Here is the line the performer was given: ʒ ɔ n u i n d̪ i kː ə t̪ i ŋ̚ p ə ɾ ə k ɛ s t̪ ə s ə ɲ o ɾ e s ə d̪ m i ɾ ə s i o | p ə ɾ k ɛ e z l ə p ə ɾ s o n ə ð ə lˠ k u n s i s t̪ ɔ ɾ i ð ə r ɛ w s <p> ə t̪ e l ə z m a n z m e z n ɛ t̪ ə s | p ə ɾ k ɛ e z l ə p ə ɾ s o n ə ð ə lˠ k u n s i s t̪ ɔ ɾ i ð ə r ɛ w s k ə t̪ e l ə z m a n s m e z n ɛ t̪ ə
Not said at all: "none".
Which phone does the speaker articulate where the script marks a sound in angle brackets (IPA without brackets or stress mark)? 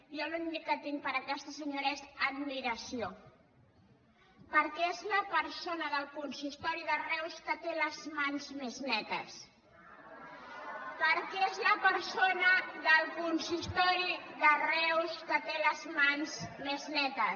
k